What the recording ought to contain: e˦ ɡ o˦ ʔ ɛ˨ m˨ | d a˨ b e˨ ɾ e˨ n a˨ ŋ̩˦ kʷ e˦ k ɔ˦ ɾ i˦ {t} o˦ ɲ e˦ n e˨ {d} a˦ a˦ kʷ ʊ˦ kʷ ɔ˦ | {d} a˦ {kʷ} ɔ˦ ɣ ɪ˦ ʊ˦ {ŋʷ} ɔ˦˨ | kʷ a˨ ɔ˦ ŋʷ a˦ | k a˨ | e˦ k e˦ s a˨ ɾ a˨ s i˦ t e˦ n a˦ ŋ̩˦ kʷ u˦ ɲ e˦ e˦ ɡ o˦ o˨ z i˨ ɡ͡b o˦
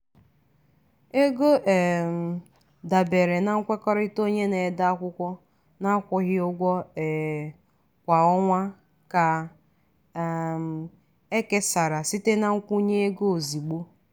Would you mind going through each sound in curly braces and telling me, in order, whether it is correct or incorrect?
correct, correct, incorrect: n, correct, incorrect: ɡʷ

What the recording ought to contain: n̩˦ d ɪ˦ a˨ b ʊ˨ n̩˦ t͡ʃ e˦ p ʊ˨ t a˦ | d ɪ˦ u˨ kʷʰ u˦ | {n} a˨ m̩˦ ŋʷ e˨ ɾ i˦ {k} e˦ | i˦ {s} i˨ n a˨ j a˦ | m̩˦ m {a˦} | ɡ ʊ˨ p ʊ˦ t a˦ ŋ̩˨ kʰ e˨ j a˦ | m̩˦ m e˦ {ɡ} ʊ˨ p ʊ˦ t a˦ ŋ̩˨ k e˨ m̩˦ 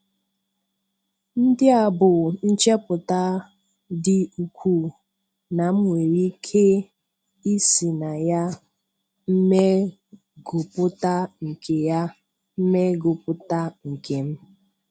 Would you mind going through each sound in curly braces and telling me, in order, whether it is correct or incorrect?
correct, incorrect: kʰ, correct, incorrect: e˦, correct

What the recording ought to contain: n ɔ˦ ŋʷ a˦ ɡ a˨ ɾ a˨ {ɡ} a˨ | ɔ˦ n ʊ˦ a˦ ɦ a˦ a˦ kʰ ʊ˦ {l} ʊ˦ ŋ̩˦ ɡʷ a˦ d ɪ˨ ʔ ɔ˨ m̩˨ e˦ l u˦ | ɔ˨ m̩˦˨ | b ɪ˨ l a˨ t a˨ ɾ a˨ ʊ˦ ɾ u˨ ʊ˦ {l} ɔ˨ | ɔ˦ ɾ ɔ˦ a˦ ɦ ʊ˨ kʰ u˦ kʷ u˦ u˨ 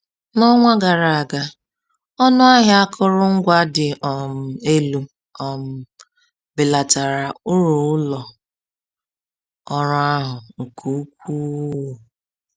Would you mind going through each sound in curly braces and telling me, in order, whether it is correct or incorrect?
correct, incorrect: ɾ, correct

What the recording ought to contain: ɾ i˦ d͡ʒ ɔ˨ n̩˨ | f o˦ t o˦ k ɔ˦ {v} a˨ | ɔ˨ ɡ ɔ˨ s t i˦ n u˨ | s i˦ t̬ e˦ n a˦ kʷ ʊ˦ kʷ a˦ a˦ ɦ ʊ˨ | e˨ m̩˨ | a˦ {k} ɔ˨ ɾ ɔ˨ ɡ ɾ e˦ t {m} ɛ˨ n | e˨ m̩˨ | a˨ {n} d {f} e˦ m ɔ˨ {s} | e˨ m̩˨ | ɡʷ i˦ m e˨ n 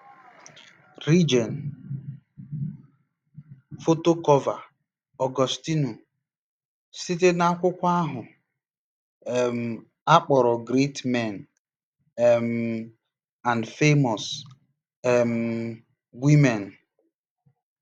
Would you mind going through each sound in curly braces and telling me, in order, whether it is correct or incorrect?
correct, incorrect: k͡p, correct, correct, correct, correct

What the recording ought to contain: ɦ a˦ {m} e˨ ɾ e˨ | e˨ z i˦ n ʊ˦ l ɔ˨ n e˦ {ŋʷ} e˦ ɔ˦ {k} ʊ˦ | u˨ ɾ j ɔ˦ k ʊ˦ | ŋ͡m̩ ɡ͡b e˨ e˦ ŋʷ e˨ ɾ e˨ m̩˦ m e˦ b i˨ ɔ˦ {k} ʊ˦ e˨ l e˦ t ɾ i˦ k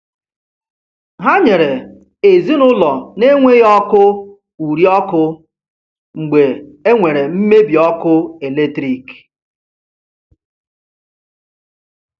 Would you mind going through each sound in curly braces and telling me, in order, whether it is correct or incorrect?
incorrect: ɲ, correct, correct, correct

